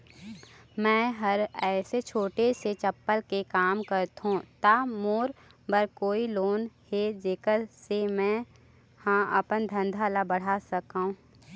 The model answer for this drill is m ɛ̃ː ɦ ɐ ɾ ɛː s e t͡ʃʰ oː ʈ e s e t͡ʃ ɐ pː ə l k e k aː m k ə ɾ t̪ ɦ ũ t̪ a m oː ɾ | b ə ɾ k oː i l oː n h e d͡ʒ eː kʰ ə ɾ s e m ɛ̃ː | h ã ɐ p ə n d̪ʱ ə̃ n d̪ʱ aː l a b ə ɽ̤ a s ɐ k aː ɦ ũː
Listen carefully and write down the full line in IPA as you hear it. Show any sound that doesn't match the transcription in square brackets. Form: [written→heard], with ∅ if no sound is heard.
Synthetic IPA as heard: m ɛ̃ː ɦ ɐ ɾ ɛː s e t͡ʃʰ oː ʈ e s e t͡ʃ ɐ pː ə l k e k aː m k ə ɾ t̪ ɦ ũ t̪ a m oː ɾ | b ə ɾ k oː i l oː n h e d͡ʒ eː [kʰ→k] ə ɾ s e m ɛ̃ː | h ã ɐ p ə n d̪ʱ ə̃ n d̪ʱ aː l a b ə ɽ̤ a s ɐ k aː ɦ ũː